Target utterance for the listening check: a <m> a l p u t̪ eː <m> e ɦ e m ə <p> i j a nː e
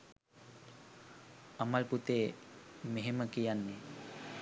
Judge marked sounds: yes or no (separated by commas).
yes, yes, no